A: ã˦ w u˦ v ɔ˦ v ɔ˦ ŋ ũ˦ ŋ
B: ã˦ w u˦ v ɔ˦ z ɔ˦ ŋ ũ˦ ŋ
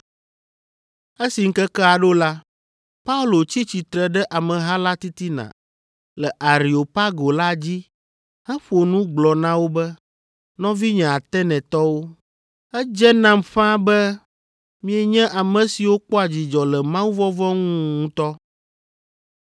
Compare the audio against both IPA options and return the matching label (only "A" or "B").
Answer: A